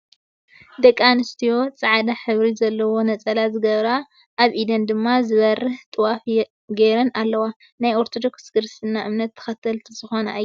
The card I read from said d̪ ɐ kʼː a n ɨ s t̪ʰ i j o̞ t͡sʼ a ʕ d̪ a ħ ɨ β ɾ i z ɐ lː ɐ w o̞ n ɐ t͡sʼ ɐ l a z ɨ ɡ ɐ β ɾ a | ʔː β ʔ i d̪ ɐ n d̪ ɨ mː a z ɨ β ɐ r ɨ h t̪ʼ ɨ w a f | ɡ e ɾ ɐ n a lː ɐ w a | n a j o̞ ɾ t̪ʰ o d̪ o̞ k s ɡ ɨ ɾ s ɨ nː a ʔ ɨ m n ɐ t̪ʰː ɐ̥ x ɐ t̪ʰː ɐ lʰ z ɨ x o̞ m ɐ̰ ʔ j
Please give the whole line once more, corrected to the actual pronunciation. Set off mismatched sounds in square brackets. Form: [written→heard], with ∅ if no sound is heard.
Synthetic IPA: d̪ ɐ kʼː a n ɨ s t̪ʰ i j o̞ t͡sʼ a ʕ d̪ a ħ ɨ β ɾ i z ɐ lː ɐ w o̞ n ɐ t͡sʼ ɐ l a z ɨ ɡ ɐ β ɾ a | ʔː β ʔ i d̪ ɐ n d̪ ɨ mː a z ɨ β ɐ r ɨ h t̪ʼ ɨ w a f | ɡ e ɾ ɐ n a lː ɐ w a | n a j o̞ ɾ t̪ʰ o d̪ o̞ k s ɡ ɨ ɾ s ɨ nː a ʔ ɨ m n ɐ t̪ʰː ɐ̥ x ɐ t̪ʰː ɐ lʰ z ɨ x o̞ [m→n] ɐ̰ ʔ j

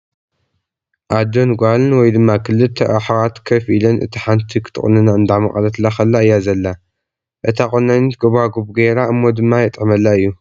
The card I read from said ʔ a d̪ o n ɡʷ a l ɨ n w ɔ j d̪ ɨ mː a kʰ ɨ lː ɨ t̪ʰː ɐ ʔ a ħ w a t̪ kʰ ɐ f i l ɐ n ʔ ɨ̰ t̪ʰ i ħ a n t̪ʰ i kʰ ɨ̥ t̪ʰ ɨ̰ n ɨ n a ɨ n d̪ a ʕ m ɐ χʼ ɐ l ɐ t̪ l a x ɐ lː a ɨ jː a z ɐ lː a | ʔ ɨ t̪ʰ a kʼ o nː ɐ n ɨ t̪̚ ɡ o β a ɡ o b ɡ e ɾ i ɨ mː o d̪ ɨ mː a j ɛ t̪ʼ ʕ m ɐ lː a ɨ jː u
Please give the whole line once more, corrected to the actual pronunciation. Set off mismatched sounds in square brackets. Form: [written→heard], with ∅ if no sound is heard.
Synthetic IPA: ʔ a d̪ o n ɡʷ a l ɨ n w ɔ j d̪ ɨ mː a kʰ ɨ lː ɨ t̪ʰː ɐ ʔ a ħ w a t̪ kʰ ɐ f i l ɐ n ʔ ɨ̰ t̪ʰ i ħ a n t̪ʰ i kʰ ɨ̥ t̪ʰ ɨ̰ n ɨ n a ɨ n d̪ a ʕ m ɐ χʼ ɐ l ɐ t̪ l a x ɐ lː a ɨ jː a z ɐ lː a | ʔ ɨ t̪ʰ a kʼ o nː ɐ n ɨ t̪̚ ɡ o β a ɡ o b ɡ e ɾ [i→a] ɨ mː o d̪ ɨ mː a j ɛ t̪ʼ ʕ m ɐ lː a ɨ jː u

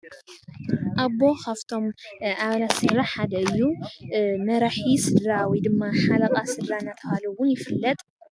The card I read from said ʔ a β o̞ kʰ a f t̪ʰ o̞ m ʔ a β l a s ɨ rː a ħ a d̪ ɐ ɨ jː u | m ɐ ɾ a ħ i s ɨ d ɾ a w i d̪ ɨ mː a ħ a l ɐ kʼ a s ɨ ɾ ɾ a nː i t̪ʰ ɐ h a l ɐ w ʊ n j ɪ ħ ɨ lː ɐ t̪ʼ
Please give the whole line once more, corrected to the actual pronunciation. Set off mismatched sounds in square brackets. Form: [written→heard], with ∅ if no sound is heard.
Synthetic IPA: ʔ a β o̞ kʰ a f t̪ʰ o̞ m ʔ a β l a s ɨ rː a ħ a d̪ ɐ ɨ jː u | m ɐ ɾ a ħ i s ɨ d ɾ a w i d̪ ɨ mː a ħ a l ɐ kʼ a s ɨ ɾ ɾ a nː [i→a] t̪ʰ ɐ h a l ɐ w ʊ n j ɪ [ħ→f] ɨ lː ɐ t̪ʼ

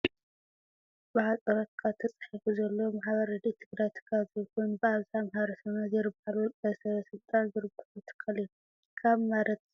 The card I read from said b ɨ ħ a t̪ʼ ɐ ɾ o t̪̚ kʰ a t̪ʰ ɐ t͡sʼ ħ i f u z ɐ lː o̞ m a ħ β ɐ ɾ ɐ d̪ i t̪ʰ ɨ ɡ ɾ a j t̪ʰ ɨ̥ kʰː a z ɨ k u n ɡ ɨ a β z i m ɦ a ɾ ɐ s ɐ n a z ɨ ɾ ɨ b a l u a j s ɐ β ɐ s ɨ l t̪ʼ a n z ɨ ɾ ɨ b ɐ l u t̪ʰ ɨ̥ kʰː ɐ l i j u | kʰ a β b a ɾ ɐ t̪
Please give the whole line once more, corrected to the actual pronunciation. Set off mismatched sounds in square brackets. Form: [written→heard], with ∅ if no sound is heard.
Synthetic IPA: b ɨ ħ a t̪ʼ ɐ ɾ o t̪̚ kʰ a t̪ʰ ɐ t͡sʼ ħ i f u z ɐ lː o̞ m a ħ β ɐ ɾ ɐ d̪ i t̪ʰ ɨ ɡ ɾ a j t̪ʰ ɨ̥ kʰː a z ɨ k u n [ɡ→b] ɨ a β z [i→a] m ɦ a ɾ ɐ s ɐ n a z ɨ ɾ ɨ b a l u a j s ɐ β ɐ s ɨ l t̪ʼ a n z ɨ ɾ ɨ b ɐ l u t̪ʰ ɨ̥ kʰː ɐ l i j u | kʰ a β [b→m] a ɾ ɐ t̪

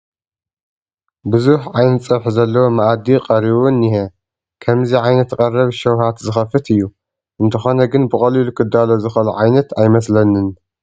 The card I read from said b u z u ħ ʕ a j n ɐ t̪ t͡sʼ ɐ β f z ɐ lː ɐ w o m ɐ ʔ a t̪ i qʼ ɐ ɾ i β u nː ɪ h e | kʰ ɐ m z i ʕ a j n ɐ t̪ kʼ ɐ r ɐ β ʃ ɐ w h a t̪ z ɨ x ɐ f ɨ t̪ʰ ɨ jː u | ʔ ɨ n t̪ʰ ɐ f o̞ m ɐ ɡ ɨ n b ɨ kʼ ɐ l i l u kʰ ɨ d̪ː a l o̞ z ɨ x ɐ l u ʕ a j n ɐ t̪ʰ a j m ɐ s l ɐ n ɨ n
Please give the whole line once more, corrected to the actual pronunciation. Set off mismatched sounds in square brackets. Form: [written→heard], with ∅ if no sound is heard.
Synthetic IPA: b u z u ħ ʕ a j n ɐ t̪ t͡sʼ ɐ β [f→ħ] z ɐ lː ɐ w o m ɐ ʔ a [t̪→d̪] i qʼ ɐ ɾ i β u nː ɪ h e | kʰ ɐ m z i ʕ a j n ɐ t̪ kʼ ɐ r ɐ β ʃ ɐ w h a t̪ z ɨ x ɐ f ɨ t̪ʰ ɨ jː u | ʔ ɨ n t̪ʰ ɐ [f→x] o̞ [m→n] ɐ ɡ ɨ n b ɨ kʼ ɐ l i l u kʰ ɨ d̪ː a l o̞ z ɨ x ɐ l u ʕ a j n ɐ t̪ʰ a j m ɐ s l ɐ n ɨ n

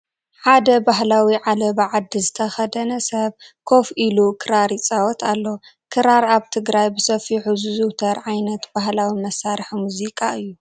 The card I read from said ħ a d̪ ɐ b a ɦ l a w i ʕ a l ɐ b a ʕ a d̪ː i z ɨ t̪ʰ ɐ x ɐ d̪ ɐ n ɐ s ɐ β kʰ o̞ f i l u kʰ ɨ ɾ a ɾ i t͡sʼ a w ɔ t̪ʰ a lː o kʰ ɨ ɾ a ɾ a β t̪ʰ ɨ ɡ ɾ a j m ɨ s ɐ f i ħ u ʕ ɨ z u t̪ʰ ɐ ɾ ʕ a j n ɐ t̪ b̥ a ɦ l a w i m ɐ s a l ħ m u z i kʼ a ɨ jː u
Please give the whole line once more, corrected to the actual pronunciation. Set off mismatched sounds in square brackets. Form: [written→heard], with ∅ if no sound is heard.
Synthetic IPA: ħ a d̪ ɐ b a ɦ l a w i ʕ a l ɐ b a ʕ a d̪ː i z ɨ t̪ʰ ɐ x ɐ d̪ ɐ n ɐ s ɐ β kʰ o̞ f i l u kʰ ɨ ɾ a ɾ i t͡sʼ a w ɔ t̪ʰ a lː o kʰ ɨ ɾ a ɾ a β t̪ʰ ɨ ɡ ɾ a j [m→b] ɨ s ɐ f i ħ u [ʕ→z] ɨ z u t̪ʰ ɐ ɾ ʕ a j n ɐ t̪ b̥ a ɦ l a w i m ɐ s a [l→ɾ] ħ m u z i kʼ a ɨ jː u

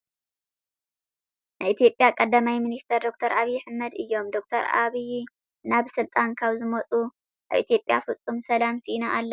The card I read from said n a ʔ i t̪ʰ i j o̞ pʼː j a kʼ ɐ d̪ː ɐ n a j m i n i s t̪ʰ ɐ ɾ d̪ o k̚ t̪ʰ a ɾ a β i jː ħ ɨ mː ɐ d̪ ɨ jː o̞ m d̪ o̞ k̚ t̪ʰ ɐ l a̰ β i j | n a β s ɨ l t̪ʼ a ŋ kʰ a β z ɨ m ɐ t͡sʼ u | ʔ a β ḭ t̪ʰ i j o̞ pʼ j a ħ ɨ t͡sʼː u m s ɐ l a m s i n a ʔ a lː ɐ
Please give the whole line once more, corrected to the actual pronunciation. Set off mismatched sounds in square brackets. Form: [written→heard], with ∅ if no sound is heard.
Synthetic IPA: n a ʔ i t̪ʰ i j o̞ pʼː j a kʼ ɐ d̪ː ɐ [n→m] a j m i n i s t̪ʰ ɐ ɾ d̪ o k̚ t̪ʰ [a→ɐ] ɾ a β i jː ħ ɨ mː ɐ d̪ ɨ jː o̞ m d̪ o̞ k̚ t̪ʰ ɐ [l→ɾ] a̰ β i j | n a β s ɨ l t̪ʼ a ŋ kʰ a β z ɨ m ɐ t͡sʼ u | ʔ a β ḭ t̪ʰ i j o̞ pʼ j a [ħ→f] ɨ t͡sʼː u m s ɐ l a m s i n a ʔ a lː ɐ

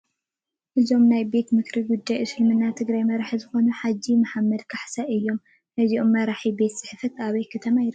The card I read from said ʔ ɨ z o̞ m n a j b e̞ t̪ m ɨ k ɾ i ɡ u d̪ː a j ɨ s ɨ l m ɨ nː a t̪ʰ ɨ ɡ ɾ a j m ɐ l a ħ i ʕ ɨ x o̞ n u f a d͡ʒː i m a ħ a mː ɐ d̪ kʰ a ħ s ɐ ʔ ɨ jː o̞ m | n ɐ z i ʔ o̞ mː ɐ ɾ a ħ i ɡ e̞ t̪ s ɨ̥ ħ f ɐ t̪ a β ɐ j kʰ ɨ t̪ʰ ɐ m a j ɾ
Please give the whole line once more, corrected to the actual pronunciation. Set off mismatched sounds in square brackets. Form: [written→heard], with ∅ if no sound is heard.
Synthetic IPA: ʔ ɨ z o̞ m n a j b e̞ t̪ m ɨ k ɾ i ɡ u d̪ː a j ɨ s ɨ l m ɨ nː a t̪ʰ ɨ ɡ ɾ a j m ɐ [l→ɾ] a ħ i [ʕ→z] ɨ x o̞ n u [f→ħ] a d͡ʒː i m a ħ a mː ɐ d̪ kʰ a ħ s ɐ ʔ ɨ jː o̞ m | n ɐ z i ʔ o̞ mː ɐ ɾ a ħ i [ɡ→b] e̞ t̪ s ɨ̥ ħ f ɐ t̪ a β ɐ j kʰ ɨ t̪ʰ ɐ m a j ɾ

